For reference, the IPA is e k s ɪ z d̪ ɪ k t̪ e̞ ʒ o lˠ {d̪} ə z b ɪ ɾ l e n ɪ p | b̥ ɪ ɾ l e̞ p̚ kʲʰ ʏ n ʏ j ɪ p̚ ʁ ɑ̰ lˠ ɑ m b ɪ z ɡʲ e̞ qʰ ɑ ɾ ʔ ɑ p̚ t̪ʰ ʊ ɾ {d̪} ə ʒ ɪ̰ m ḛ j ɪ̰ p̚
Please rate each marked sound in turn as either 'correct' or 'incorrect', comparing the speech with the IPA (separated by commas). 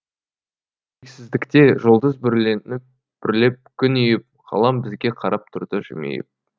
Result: correct, correct